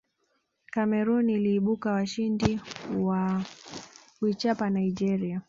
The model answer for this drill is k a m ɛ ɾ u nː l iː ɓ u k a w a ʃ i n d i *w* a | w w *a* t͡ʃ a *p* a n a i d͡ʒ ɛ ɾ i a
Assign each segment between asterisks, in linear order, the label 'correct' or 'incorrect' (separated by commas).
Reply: correct, incorrect, correct